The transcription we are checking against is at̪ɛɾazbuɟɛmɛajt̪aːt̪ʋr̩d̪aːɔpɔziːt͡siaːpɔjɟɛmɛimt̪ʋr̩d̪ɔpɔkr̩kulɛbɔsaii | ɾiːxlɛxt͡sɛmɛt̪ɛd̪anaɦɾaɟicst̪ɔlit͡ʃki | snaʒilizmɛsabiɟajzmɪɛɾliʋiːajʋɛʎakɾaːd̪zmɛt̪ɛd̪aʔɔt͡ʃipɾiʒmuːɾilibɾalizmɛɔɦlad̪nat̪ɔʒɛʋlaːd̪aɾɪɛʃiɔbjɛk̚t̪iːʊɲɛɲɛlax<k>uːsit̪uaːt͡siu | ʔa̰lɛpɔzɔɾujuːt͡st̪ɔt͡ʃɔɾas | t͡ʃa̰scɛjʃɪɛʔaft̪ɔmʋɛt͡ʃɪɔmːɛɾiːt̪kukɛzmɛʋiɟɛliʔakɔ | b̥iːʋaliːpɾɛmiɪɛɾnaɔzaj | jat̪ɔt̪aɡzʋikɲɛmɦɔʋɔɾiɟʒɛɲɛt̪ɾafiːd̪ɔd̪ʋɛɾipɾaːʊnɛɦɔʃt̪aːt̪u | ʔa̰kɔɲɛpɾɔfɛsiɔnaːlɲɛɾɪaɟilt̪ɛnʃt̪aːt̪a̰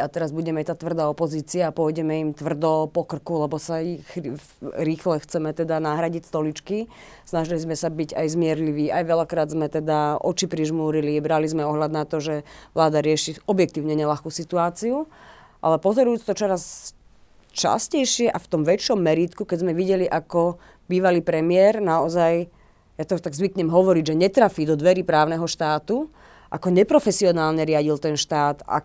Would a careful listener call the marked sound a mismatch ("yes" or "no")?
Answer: no